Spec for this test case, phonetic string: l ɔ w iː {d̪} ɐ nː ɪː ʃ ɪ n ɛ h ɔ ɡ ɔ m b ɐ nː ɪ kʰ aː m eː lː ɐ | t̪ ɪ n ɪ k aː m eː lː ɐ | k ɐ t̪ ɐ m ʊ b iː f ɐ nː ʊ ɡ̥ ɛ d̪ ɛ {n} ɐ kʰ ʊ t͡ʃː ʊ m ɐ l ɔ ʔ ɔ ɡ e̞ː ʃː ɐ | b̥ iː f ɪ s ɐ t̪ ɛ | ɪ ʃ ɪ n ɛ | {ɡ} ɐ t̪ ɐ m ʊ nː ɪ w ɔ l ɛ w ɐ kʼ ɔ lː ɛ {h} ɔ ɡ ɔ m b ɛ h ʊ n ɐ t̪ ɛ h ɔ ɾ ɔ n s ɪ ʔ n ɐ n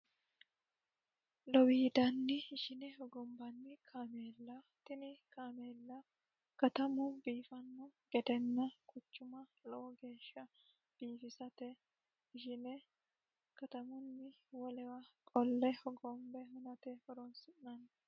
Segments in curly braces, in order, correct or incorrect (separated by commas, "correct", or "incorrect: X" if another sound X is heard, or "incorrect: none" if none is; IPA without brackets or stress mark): correct, incorrect: nː, incorrect: k, correct